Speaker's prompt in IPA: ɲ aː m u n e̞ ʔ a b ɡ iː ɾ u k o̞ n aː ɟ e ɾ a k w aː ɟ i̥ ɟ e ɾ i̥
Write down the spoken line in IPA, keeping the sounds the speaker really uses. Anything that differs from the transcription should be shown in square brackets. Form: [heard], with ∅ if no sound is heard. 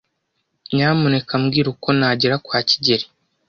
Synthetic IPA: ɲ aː m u n e̞ [k] a [m] ɡ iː ɾ u k o̞ n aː ɟ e ɾ a k w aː [c] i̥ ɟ e ɾ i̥